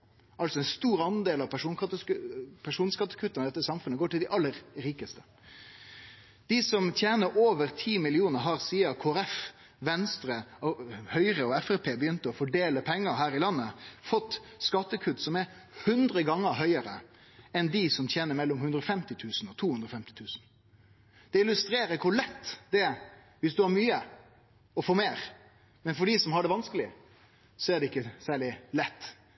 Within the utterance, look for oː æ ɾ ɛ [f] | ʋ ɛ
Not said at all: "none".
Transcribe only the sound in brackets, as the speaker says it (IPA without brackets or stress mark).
f